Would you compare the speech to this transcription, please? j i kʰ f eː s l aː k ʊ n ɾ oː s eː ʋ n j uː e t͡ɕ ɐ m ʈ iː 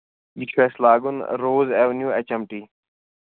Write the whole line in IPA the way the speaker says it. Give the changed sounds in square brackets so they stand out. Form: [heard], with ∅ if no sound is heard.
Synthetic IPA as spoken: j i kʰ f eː s l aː [ɡ] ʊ n ɾ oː [z] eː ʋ n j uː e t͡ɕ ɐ m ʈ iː